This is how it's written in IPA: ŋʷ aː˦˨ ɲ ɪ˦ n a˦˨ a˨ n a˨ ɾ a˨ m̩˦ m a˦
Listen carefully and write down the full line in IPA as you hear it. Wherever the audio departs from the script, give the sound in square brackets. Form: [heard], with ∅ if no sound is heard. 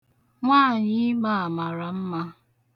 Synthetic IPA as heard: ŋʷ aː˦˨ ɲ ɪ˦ [m] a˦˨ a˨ [m] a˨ ɾ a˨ m̩˦ m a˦